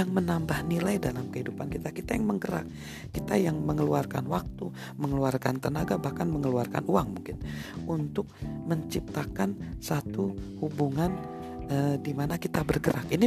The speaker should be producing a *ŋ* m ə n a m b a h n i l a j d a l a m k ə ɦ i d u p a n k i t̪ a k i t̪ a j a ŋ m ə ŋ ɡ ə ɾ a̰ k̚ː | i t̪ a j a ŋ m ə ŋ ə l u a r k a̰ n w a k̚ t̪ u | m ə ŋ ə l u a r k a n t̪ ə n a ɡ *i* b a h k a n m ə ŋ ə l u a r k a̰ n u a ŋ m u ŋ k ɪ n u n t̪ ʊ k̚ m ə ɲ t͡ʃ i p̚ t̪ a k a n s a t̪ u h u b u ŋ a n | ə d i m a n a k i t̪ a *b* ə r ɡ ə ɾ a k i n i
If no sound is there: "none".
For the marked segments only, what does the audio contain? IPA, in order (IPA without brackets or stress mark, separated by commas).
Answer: ŋ, a, b